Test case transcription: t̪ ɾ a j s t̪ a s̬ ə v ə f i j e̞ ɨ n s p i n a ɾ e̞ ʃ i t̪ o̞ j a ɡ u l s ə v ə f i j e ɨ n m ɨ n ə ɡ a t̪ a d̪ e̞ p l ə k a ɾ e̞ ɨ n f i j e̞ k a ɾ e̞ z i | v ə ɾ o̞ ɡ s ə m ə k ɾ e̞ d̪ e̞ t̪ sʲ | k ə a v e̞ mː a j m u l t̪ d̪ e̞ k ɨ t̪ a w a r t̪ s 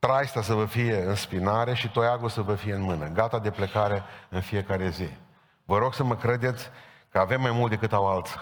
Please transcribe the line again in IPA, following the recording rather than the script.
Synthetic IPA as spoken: t̪ ɾ a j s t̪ a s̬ ə v ə f i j e̞ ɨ n s p i n a ɾ e̞ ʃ i t̪ o̞ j a ɡ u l s ə v ə f i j e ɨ n m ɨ n ə ɡ a t̪ a d̪ e̞ p l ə k a ɾ e̞ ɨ n f i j e̞ k a ɾ e̞ z i | v ə ɾ o̞ ɡ s ə m ə k ɾ e̞ d̪ e̞ t̪ sʲ | k ə a v e̞ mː a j m u l t̪ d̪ e̞ k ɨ t̪ a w a l t̪ s